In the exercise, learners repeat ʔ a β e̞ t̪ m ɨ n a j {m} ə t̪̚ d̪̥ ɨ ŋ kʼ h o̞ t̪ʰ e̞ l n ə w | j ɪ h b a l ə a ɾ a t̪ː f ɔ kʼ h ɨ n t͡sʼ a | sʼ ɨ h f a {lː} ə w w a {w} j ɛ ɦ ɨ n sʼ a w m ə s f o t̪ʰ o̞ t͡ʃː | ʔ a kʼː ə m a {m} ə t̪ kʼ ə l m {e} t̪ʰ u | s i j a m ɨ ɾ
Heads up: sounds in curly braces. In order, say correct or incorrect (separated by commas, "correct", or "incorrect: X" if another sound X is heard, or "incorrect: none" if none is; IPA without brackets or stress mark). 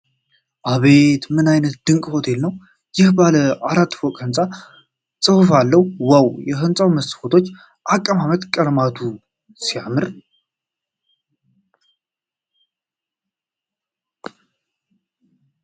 incorrect: n, correct, correct, correct, incorrect: a